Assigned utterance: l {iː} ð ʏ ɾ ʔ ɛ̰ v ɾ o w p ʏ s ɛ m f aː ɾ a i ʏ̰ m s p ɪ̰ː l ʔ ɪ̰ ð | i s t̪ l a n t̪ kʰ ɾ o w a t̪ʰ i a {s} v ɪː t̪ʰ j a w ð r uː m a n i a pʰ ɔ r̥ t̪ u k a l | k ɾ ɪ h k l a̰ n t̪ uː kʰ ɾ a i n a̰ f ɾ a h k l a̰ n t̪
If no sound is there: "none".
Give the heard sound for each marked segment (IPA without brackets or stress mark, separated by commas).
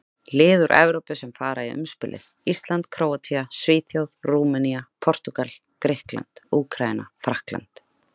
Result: ɪː, s